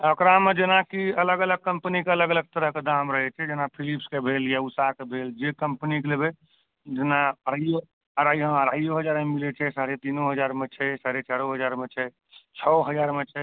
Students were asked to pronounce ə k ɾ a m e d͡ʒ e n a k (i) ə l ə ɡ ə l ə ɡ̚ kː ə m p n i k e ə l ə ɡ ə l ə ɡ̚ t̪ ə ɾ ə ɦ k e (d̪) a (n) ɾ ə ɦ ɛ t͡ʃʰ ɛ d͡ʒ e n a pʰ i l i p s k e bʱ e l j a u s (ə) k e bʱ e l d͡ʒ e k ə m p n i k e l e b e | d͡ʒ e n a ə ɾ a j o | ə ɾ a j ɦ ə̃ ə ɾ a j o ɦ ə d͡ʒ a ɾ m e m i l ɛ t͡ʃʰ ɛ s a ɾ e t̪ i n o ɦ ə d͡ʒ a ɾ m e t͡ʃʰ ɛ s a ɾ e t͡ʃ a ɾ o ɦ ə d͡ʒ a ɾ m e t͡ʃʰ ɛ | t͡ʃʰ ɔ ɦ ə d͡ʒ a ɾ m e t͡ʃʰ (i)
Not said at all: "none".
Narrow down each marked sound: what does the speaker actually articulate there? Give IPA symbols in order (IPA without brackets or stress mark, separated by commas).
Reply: i, d̪, m, a, ɛ